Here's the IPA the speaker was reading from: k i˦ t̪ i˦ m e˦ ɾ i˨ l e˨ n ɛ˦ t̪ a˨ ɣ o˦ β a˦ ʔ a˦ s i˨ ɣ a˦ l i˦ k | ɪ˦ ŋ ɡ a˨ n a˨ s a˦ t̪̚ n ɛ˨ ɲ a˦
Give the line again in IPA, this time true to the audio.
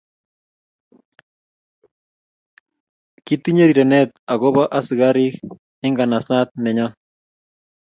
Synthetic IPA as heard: k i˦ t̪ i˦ ɲ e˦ ɾ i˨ ɾ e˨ n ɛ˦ t̪ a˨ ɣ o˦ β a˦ ʔ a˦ s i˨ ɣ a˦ ɾ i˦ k | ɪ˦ ŋ ɡ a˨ n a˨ s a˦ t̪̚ n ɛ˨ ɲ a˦